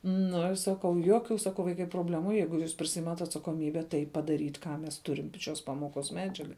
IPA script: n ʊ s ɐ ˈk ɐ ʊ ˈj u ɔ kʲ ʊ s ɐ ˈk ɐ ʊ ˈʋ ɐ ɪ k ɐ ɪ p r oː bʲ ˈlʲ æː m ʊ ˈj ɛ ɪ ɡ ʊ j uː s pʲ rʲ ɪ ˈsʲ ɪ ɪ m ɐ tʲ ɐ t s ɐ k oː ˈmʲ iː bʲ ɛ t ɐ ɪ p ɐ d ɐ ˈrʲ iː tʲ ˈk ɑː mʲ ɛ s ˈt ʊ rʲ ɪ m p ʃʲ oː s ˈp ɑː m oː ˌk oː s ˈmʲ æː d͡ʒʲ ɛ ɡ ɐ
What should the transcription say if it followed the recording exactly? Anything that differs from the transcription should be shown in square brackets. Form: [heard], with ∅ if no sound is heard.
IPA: n ʊ s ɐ ˈk ɐ ʊ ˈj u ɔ kʲ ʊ s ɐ ˈk ɐ ʊ ˈʋ ɐ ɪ k ɐ ɪ p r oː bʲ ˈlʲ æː m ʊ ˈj ɛ ɪ ɡ ʊ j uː s pʲ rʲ ɪ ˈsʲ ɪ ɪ m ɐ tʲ ɐ t s ɐ k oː ˈmʲ iː bʲ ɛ t ɐ ɪ p ɐ d ɐ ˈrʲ iː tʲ ˈk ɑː mʲ ɛ s ˈt ʊ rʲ ɪ m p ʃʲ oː s ˈp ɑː m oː ˌk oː s ˈmʲ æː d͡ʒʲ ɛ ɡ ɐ